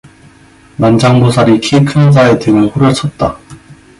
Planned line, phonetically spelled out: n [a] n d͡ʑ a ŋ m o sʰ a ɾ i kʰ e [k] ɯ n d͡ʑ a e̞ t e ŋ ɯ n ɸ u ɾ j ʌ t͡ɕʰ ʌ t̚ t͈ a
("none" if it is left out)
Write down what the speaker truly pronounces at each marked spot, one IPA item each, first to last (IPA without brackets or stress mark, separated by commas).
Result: a, kʰ